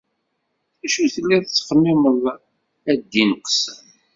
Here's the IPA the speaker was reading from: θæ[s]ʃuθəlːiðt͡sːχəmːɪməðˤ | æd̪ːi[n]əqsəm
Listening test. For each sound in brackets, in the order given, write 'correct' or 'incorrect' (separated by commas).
incorrect, correct